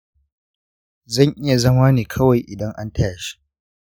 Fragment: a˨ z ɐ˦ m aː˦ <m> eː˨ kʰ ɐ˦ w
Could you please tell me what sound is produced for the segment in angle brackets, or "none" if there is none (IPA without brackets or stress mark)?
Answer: n